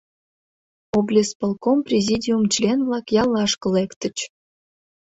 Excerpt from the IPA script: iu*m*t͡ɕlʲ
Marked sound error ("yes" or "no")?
no